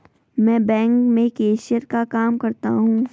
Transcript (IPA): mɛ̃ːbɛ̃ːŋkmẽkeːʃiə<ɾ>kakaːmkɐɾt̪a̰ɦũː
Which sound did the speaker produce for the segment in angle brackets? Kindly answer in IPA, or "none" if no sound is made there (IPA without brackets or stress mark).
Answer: ɾ